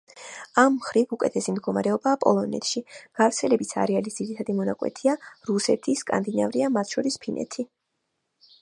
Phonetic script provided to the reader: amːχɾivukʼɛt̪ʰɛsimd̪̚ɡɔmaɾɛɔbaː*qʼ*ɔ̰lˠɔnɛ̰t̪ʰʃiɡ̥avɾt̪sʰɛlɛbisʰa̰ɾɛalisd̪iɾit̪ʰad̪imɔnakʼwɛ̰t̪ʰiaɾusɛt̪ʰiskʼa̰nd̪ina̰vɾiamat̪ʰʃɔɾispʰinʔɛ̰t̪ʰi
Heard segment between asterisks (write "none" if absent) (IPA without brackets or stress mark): pʼ